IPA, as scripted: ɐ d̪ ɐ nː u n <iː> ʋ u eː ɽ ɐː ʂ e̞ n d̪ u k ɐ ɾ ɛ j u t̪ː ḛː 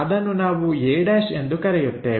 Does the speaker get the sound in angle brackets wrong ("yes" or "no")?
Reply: yes